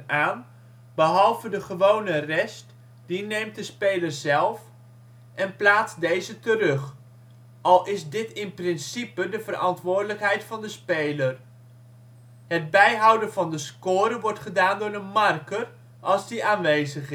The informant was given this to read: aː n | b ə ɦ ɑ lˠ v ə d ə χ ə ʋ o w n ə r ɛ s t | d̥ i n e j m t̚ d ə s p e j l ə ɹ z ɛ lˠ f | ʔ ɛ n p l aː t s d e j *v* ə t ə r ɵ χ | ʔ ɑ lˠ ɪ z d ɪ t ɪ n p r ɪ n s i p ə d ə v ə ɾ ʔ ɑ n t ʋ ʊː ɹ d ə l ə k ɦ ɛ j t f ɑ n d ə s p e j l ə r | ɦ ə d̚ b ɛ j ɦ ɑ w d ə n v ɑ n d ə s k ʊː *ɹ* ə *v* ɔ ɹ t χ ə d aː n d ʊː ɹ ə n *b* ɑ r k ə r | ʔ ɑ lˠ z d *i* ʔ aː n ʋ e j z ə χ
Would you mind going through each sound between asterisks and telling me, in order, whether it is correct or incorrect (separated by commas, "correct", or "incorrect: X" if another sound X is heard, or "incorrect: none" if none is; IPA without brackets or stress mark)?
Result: incorrect: z, incorrect: ɾ, incorrect: ʋ, incorrect: m, correct